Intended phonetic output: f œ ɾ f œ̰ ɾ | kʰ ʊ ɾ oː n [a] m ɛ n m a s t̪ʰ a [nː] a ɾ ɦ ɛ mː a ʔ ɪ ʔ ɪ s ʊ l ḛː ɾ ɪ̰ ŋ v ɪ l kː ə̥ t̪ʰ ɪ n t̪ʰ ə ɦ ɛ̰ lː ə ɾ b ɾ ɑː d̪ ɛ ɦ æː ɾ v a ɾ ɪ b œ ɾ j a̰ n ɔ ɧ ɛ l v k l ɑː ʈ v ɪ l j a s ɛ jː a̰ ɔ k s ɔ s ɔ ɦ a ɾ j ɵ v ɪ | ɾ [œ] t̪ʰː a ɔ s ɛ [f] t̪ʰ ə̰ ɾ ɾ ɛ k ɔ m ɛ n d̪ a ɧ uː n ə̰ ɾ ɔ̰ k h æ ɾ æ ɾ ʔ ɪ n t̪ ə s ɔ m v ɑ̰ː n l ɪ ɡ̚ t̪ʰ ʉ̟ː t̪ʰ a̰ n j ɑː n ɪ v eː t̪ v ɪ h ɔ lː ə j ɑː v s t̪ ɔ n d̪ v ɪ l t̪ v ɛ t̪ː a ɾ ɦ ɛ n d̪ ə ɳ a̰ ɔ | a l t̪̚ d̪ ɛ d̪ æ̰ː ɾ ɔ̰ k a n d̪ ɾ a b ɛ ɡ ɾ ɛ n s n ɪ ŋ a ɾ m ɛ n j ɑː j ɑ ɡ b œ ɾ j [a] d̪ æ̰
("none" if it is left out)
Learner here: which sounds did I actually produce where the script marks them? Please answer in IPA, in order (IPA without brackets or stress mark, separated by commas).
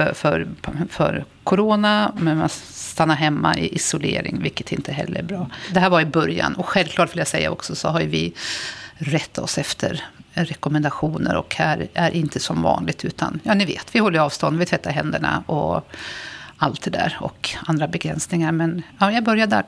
a, nː, ɛ, f, a